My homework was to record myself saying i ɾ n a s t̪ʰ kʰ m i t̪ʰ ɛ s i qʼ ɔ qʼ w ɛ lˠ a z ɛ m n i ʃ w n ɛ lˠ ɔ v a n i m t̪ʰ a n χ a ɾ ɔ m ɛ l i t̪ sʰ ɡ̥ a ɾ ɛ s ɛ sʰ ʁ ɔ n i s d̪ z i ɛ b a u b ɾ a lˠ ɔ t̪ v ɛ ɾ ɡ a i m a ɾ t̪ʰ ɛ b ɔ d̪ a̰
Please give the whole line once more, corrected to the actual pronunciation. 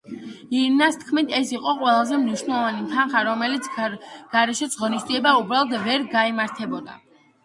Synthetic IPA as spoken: i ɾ n a s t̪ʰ kʰ m i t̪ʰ ɛ s i qʼ ɔ qʼ w ɛ lˠ a z ɛ m n i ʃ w n ɛ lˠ ɔ v a n i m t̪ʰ a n χ a ɾ ɔ m ɛ l i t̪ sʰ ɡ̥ a ɾ ɛ ʃ ɛ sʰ ʁ ɔ n i s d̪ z i ɛ b a u b ɾ a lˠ ɔ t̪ v ɛ ɾ ɡ a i m a ɾ t̪ʰ ɛ b ɔ d̪ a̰